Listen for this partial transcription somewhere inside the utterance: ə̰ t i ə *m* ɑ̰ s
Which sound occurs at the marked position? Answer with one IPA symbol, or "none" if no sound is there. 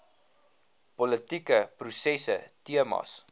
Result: m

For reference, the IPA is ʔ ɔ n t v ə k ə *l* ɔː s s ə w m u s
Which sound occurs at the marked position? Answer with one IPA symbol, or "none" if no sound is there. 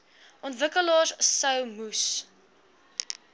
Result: l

